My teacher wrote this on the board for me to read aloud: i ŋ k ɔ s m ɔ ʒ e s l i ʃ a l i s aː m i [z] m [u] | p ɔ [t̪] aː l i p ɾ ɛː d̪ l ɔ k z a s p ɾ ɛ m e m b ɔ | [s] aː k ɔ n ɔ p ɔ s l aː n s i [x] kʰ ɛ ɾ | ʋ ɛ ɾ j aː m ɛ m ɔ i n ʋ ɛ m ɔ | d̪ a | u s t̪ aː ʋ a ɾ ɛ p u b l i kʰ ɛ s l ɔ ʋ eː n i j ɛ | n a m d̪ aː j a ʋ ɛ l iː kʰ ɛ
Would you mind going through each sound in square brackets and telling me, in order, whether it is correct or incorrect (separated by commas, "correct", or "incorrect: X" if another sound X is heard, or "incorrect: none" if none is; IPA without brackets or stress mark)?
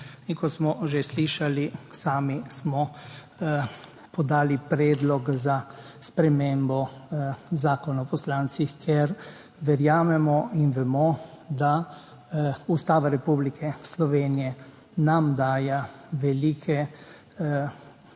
incorrect: s, incorrect: ɔ, incorrect: d̪, incorrect: z, correct